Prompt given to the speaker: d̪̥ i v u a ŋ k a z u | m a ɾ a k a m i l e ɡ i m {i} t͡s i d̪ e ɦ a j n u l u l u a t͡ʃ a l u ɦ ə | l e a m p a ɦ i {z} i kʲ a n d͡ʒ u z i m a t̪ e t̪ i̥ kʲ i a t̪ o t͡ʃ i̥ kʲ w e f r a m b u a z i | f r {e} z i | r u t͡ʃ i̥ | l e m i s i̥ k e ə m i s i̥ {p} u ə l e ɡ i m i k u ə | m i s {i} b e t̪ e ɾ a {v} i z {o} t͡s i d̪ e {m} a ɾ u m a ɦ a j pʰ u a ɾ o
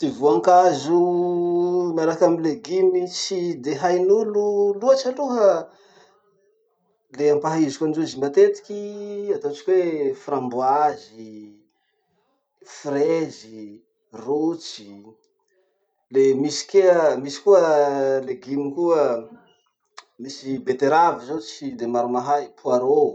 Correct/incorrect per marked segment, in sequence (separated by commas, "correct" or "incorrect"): correct, correct, correct, incorrect, correct, correct, correct, correct